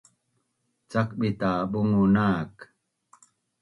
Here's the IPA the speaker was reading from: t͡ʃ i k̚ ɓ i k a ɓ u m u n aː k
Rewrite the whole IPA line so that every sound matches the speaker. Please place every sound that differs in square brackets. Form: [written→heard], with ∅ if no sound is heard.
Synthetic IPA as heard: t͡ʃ [i→a] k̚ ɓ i [k→t] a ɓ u [m→ŋ] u n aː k

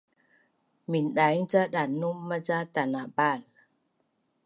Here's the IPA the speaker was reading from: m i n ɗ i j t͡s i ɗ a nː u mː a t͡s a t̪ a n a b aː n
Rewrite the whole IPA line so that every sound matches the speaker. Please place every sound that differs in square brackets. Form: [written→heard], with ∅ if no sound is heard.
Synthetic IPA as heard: m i n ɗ [i→a] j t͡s [i→a] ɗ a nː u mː a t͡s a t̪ a n a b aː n

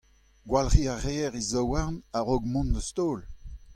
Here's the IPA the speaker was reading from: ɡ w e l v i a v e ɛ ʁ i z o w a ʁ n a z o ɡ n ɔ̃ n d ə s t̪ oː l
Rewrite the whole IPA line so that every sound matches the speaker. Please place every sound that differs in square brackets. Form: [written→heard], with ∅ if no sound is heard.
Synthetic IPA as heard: ɡ w [e→a] l [v→ʁ] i a [v→ʁ] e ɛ ʁ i z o w a ʁ n a [z→ʁ] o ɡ [n→m] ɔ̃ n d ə s t̪ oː l

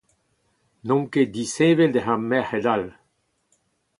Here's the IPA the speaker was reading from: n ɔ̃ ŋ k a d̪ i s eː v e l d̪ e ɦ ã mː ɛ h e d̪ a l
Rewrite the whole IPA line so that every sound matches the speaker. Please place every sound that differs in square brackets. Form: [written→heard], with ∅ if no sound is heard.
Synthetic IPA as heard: n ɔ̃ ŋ k [a→e] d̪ i s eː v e l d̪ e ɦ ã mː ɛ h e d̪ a l

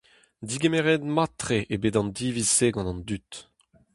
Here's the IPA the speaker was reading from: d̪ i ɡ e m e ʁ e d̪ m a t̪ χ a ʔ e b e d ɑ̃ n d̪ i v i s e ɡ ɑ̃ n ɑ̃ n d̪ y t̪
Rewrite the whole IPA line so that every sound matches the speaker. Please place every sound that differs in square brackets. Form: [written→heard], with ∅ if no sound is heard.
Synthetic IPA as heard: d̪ i ɡ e m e ʁ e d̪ m a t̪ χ [a→e] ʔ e b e d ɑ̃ n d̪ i v i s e ɡ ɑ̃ n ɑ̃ n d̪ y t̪

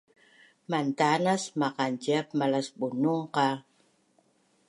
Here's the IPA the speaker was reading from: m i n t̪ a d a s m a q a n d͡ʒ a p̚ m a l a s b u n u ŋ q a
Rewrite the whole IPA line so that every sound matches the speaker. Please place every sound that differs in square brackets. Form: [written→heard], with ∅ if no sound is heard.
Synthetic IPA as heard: m [i→a] n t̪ a [d→n] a s m a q a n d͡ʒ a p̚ m a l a s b u n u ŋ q a

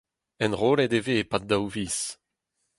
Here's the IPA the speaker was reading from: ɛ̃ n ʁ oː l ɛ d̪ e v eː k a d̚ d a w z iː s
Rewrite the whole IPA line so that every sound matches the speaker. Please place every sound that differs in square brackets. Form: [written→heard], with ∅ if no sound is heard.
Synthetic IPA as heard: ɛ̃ n ʁ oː l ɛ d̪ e v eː [k→p] a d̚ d a w [z→v] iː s

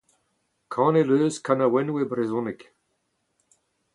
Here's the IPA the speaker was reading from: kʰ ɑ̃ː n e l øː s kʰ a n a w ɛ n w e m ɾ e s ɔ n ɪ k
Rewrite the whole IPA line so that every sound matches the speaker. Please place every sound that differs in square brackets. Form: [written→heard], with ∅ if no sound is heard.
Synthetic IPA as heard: kʰ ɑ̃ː n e l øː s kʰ a n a w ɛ n w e [m→b] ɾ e [s→z] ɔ n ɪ k

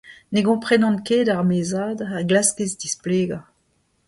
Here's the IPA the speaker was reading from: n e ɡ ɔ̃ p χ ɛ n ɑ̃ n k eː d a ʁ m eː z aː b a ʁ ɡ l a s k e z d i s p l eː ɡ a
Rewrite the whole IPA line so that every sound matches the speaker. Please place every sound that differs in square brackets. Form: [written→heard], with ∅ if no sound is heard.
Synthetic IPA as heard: n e ɡ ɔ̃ p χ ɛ n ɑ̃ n k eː d a ʁ m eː z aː [b→d] a ʁ ɡ l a s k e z d i s p l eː ɡ a

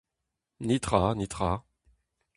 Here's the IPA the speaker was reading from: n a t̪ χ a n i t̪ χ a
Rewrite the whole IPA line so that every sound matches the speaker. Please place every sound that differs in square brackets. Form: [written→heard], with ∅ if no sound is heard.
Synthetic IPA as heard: n [a→i] t̪ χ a n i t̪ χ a

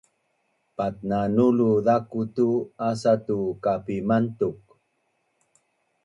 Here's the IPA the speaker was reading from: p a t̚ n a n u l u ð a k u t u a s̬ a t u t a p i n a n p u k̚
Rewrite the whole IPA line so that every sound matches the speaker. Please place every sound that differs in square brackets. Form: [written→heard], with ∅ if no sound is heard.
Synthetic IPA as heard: p a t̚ n a n u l u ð a k u t u a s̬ a t u [t→k] a p i [n→m] a n [p→t] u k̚

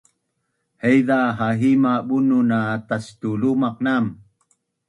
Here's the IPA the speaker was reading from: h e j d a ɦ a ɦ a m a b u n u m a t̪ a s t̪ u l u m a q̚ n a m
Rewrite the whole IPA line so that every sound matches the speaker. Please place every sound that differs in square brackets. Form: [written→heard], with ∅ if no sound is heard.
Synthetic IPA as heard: h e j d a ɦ a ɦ [a→i] m a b u n u [m→n] a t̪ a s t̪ u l u m a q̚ n a m

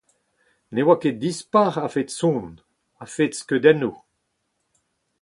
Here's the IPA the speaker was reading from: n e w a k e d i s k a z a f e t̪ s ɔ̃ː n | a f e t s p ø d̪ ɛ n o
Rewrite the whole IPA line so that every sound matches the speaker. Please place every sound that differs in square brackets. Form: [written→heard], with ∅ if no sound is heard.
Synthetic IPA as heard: n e w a k e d i s [k→p] a [z→ʁ] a f e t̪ s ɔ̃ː n | a f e t s [p→k] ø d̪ ɛ n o

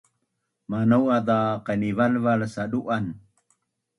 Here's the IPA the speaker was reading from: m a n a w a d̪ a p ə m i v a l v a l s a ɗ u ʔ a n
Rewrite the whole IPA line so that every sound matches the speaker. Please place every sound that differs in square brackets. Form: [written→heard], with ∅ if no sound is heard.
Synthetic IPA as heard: m a n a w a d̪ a [p→q] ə [m→n] i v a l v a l s a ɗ u ʔ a n

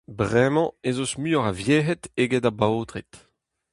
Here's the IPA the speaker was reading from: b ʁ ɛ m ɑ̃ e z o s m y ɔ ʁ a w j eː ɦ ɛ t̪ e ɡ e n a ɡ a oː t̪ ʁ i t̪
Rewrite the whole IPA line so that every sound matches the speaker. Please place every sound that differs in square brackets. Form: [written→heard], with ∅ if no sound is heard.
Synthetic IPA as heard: b ʁ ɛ m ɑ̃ e z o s m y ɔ ʁ a [w→v] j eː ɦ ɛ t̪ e ɡ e [n→d] a [ɡ→b] a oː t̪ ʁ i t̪

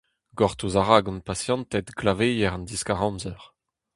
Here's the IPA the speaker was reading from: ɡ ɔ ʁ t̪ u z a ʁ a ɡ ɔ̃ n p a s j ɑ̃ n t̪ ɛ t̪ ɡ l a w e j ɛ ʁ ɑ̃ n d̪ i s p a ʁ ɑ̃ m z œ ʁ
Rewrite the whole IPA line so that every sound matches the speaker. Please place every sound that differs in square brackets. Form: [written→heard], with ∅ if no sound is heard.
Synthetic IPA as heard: ɡ ɔ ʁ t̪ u z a ʁ a ɡ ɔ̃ n p a s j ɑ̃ n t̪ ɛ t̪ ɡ l a [w→v] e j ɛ ʁ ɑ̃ n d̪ i s [p→k] a ʁ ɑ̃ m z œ ʁ

